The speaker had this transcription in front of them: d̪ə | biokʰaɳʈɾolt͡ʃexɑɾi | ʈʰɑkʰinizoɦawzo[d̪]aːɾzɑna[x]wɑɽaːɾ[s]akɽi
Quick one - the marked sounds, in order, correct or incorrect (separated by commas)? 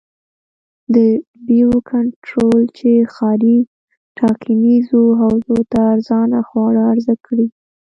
incorrect, correct, incorrect